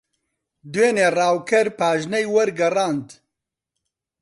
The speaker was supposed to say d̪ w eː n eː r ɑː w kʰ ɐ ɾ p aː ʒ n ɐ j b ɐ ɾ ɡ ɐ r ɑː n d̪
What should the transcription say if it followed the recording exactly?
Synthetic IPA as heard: d̪ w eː n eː r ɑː w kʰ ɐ ɾ p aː ʒ n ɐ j w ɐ ɾ ɡ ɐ r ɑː n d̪